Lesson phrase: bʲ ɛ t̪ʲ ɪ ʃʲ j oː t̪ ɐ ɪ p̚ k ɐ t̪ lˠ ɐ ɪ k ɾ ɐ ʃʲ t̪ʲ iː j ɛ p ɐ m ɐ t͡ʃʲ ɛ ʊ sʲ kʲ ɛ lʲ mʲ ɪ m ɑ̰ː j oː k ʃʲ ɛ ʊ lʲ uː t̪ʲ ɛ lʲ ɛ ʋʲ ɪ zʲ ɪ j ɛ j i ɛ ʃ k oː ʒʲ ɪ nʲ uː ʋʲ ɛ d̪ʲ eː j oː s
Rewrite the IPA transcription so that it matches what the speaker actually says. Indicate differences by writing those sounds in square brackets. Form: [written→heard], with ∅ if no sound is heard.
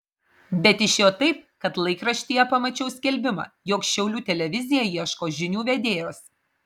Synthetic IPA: bʲ ɛ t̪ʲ ɪ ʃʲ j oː t̪ ɐ ɪ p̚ k ɐ t̪ lˠ ɐ ɪ k ɾ ɐ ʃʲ t̪ʲ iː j ɛ p ɐ m ɐ t͡ʃʲ ɛ ʊ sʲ kʲ ɛ lʲ [mʲ→bʲ] ɪ m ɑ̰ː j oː k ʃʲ ɛ ʊ lʲ uː t̪ʲ ɛ lʲ ɛ ʋʲ ɪ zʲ ɪ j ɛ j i ɛ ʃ k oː ʒʲ ɪ nʲ uː ʋʲ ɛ d̪ʲ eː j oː s